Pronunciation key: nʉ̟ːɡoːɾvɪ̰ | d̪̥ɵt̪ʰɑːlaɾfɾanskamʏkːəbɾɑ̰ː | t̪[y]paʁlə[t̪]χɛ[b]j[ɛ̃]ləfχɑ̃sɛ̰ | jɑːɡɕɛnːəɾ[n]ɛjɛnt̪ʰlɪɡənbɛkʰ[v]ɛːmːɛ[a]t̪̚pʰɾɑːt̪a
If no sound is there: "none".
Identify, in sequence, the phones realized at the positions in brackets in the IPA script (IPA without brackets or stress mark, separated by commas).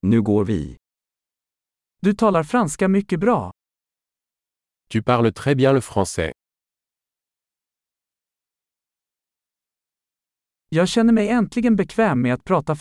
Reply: y, t̪, b, ɛ̃, m, v, a